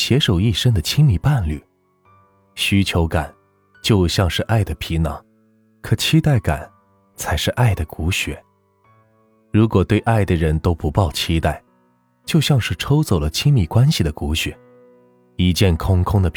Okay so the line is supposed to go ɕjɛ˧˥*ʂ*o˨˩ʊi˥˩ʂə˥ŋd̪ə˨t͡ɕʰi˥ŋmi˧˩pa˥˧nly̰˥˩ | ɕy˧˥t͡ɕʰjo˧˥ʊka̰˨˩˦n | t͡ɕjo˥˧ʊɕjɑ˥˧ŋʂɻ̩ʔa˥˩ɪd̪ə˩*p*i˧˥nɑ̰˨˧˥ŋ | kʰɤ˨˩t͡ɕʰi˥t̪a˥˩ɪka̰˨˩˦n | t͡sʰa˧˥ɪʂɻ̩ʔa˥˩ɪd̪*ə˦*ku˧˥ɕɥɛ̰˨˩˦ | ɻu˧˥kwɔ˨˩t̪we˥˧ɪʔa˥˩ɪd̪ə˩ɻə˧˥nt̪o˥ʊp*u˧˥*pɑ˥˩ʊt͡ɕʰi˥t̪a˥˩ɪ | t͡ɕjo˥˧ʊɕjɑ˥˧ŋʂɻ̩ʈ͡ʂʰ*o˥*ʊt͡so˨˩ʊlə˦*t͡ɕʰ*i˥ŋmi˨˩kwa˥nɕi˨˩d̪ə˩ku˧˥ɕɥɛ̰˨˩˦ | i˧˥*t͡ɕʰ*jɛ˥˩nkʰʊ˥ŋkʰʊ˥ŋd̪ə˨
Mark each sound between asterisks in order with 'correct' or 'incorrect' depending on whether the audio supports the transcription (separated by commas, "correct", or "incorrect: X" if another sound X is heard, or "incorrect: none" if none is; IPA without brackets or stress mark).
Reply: correct, incorrect: pʰ, incorrect: ə˩, correct, correct, correct, incorrect: t͡ɕ